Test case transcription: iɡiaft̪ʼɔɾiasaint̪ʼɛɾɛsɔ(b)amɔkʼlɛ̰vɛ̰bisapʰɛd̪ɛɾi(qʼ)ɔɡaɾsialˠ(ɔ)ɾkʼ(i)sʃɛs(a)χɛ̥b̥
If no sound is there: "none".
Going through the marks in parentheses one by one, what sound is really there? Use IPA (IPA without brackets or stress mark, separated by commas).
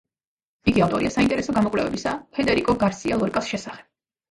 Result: ɡ, kʼ, ɔ, a, a